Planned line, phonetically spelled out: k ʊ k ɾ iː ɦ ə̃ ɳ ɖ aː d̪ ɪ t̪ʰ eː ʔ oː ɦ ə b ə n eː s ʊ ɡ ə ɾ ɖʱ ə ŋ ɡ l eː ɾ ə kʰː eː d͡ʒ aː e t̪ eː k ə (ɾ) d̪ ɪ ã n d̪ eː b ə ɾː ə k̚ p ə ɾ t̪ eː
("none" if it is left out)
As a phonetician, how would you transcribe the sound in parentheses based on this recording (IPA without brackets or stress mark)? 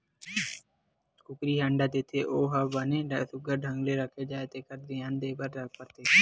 ɾ